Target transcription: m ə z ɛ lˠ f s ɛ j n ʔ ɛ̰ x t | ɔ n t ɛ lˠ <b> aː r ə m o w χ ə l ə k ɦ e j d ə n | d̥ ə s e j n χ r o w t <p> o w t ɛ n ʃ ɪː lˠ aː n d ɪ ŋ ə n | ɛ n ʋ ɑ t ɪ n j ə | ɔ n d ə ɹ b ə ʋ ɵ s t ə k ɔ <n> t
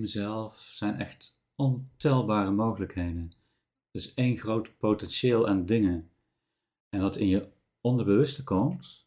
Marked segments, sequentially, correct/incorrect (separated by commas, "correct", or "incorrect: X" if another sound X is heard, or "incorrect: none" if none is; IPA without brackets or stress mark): correct, correct, incorrect: m